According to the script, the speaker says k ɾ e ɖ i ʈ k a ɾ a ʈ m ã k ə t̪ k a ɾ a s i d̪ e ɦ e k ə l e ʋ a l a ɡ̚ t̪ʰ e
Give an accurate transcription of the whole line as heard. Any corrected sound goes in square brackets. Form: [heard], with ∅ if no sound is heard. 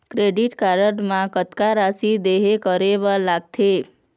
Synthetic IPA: k ɾ e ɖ i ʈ k a ɾ [ə] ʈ m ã k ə t̪ k a ɾ a s i d̪ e ɦ e k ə [ɾ] e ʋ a l a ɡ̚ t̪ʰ e